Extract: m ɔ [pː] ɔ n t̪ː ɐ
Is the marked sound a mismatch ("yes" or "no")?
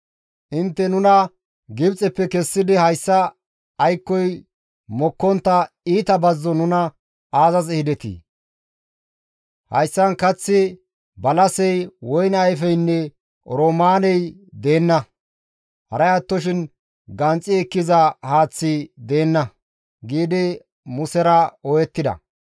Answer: yes